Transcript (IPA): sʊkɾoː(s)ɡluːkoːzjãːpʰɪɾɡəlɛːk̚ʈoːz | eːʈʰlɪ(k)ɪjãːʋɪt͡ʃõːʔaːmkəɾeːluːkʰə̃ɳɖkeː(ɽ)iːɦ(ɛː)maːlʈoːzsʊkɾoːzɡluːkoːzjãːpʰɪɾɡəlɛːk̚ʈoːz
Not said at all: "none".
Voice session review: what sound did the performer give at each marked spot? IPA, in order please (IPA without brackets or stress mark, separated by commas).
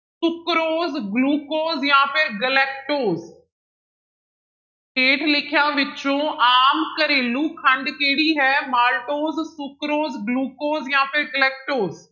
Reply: z, kʰ, ɽ, ɛː